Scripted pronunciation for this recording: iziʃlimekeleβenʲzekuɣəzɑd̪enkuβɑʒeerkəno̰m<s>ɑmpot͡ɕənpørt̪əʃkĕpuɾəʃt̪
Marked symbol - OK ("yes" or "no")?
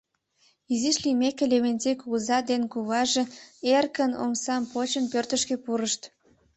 yes